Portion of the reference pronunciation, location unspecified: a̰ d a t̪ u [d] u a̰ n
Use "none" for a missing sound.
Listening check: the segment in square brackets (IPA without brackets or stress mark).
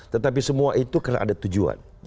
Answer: d͡ʒ